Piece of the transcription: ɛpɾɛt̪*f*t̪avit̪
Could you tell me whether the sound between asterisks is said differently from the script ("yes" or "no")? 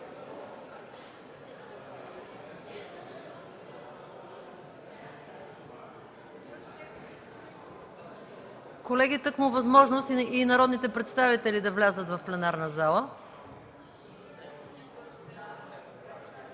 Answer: yes